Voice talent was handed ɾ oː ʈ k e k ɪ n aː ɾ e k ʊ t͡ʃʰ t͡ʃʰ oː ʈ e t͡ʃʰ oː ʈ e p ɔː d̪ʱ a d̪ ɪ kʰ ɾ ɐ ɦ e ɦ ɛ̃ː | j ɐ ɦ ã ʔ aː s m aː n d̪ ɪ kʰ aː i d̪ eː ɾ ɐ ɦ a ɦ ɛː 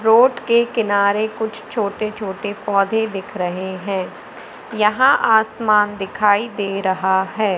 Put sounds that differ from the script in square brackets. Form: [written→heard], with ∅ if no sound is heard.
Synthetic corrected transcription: ɾ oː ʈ k e k ɪ n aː ɾ e k ʊ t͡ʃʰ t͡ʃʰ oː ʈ e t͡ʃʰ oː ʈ e p ɔː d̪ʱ [a→e] d̪ ɪ kʰ ɾ ɐ ɦ e ɦ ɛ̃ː | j ɐ ɦ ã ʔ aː s m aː n d̪ ɪ kʰ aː i d̪ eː ɾ ɐ ɦ a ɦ ɛː